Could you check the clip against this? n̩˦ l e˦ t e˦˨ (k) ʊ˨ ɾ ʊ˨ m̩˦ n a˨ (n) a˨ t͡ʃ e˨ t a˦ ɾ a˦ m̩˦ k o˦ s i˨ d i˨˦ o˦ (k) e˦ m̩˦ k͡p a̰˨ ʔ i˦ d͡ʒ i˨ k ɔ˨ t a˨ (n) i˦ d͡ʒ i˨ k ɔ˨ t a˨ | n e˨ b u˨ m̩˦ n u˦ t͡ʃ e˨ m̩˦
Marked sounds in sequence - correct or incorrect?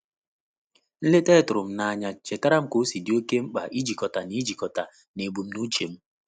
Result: incorrect: t, incorrect: ɲ, correct, correct

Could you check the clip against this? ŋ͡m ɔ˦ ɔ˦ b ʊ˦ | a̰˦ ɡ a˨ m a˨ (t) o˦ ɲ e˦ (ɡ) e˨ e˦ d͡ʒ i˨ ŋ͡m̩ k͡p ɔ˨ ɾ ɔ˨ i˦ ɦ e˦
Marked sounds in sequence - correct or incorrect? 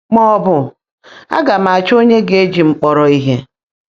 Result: incorrect: t͡ʃ, correct

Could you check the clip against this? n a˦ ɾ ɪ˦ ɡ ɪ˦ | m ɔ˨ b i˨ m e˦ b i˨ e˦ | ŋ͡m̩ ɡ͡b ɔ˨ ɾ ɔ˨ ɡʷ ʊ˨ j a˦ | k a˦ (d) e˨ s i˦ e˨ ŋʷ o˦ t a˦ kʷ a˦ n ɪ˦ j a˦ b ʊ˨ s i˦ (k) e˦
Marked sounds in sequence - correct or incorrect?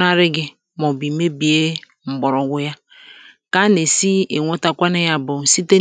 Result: incorrect: n, incorrect: t

